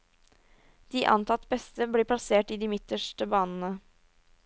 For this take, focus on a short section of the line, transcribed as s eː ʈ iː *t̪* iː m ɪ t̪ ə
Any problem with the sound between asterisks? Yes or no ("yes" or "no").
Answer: yes